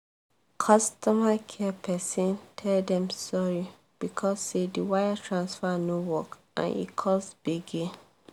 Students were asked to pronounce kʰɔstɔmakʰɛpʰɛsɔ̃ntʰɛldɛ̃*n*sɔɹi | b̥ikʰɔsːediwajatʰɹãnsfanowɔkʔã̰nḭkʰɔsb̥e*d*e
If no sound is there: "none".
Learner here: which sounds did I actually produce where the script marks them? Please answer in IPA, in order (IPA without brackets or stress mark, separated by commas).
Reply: m, ɡ